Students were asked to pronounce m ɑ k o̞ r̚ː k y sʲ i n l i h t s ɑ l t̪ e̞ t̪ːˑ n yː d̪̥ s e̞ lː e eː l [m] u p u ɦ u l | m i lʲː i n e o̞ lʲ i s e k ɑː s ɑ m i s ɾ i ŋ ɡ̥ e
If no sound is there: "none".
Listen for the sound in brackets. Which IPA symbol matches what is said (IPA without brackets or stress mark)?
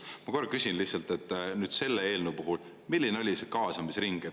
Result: n